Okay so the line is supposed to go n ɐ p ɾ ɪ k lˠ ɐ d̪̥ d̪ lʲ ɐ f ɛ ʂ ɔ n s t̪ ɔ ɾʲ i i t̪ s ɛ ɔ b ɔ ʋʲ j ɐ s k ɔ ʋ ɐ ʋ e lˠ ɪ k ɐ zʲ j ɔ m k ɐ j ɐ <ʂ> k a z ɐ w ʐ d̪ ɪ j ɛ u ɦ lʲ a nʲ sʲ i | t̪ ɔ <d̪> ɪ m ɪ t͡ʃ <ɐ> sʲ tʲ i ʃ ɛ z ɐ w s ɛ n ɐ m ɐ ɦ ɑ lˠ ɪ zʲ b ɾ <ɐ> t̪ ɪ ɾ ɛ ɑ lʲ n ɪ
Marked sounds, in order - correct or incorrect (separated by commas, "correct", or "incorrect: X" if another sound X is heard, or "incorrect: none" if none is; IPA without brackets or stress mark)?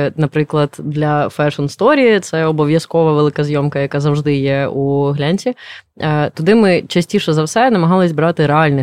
incorrect: none, correct, correct, incorrect: ɑ